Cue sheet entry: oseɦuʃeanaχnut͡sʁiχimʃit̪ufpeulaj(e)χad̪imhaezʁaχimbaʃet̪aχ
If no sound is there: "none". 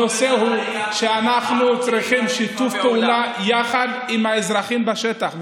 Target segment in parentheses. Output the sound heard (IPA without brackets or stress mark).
a